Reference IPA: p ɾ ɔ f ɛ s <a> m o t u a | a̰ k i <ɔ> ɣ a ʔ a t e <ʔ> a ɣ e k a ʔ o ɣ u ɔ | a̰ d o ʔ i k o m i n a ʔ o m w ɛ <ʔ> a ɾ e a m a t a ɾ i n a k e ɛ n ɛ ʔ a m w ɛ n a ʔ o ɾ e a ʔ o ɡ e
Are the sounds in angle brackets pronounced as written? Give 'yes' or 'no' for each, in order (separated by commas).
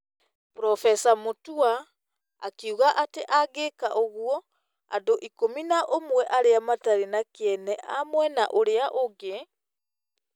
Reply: yes, no, yes, yes